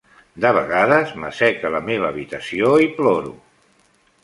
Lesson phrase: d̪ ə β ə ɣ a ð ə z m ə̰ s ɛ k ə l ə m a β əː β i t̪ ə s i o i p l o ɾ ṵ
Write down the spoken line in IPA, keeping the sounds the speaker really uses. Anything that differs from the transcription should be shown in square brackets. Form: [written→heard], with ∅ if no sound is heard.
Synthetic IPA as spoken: d̪ ə β ə ɣ a ð ə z m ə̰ s ɛ k ə l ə m [a→e] β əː β i t̪ ə s i o i p l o ɾ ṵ